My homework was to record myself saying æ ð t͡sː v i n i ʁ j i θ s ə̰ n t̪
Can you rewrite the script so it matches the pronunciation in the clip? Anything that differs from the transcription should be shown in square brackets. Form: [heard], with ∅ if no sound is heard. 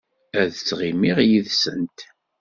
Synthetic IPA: æ ð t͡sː [ʁ] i [m] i ʁ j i [ð] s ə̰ n t̪